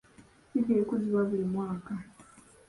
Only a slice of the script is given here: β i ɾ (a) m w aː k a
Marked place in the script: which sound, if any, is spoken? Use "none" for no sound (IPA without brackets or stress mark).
i